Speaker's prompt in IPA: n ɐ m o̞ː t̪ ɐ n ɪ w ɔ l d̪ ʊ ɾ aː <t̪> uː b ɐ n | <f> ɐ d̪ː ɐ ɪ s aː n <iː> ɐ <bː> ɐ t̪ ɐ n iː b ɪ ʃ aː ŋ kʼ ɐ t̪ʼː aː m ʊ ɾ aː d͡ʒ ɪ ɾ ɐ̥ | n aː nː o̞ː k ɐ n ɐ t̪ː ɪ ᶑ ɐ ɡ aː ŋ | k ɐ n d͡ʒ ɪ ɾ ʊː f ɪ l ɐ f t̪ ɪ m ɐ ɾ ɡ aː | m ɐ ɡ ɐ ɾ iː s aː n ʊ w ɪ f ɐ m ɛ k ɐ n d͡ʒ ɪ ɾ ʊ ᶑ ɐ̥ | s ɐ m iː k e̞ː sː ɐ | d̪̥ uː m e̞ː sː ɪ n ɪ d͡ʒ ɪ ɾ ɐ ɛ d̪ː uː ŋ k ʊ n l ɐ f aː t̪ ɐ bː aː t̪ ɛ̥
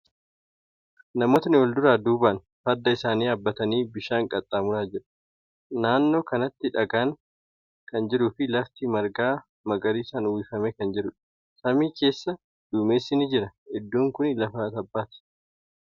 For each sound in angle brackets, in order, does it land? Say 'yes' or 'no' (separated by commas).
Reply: no, yes, yes, yes